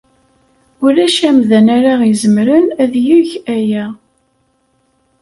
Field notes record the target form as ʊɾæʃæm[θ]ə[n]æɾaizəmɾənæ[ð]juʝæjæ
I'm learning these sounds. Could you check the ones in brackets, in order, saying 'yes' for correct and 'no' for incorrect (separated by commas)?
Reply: no, yes, yes